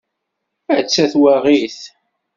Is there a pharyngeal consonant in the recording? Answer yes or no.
no